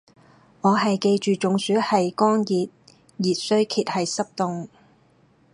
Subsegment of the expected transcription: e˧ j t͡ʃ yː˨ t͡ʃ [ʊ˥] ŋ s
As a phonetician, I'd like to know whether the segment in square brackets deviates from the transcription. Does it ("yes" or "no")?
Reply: yes